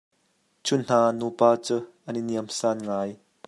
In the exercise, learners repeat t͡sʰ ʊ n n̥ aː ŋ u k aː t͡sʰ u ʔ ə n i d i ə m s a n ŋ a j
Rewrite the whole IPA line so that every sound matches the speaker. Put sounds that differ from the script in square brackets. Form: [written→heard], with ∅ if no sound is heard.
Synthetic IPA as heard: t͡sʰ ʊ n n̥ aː [ŋ→n] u [k→p] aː [t͡sʰ→t͡s] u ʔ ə n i [d→n] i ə m s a n ŋ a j